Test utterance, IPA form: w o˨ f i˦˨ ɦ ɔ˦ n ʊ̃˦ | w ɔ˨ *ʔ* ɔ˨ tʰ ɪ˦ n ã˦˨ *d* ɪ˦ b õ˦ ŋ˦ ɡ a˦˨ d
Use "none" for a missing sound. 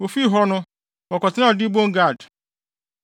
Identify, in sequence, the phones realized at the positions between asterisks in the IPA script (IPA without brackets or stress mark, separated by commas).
k, d